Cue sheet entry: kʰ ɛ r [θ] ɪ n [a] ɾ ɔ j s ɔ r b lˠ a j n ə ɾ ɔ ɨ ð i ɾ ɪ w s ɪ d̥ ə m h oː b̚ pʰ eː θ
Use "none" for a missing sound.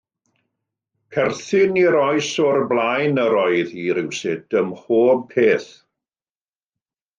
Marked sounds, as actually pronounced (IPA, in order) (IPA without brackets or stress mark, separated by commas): θ, i